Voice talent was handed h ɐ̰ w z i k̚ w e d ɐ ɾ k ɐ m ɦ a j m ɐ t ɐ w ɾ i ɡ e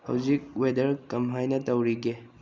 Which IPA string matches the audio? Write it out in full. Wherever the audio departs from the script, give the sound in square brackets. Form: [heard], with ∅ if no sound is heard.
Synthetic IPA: h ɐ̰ w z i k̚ w e d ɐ ɾ k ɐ m ɦ a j [n] ɐ t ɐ w ɾ i ɡ e